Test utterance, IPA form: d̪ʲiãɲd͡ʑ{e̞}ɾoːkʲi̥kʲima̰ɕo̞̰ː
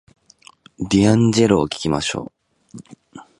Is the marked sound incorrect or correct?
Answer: correct